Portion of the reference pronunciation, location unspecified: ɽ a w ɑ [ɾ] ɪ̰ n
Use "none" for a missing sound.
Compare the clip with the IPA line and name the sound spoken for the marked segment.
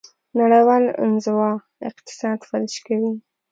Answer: l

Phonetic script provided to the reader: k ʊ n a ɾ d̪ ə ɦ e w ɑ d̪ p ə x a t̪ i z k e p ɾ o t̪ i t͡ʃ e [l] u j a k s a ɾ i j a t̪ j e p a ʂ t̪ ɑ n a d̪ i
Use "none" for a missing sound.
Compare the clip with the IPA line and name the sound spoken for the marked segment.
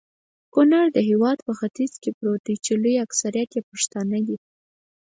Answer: l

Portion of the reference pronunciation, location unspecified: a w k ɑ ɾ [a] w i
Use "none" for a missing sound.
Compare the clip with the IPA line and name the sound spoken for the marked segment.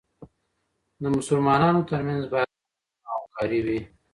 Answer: i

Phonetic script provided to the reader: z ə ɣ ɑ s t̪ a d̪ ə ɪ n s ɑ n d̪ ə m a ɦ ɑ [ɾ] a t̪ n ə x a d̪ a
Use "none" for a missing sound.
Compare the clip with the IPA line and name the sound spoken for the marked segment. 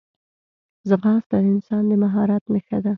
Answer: ɾ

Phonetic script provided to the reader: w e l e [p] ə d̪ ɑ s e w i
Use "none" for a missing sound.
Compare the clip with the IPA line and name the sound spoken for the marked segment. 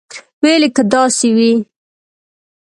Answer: k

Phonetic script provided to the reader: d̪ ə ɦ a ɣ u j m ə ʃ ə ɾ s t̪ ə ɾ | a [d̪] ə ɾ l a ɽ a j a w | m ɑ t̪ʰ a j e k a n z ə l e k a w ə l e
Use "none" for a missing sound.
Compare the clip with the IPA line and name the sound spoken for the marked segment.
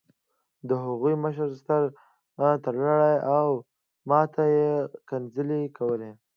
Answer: t̪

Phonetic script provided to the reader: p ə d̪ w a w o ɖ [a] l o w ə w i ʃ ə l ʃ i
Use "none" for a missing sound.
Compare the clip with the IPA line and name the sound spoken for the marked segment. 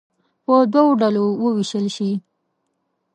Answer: a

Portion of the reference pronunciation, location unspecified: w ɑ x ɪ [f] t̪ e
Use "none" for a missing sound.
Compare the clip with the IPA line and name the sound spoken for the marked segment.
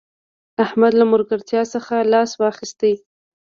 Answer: s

